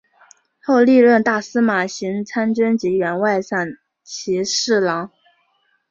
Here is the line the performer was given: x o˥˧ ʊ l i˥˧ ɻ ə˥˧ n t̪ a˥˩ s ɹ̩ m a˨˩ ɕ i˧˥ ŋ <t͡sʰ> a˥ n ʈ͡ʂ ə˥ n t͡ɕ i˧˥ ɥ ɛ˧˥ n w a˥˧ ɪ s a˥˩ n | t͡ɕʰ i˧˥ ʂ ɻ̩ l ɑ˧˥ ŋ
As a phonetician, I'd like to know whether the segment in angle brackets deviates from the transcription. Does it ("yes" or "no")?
no